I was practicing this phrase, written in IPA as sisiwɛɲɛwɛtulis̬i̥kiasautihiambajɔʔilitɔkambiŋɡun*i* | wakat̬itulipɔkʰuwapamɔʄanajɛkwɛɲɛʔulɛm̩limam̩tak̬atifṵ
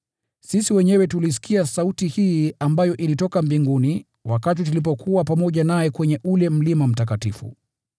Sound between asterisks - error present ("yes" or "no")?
no